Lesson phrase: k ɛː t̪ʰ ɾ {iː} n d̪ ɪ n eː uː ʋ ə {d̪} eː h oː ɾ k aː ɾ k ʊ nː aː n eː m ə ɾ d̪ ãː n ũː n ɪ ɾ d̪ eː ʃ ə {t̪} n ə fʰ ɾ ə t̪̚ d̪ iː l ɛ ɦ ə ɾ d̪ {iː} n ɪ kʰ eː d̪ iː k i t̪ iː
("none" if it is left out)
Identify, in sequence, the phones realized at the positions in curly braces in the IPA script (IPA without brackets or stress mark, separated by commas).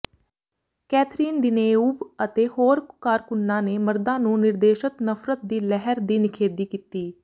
iː, t̪, t̪, iː